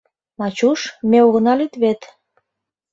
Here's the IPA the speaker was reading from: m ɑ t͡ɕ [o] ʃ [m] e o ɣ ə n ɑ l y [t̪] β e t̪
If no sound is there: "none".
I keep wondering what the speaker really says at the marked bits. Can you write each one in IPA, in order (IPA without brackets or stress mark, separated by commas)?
u, m, t̪